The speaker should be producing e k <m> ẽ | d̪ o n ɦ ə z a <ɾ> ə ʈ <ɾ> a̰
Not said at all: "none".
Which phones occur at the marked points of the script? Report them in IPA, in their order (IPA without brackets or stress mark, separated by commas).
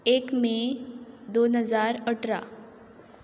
m, ɾ, ɾ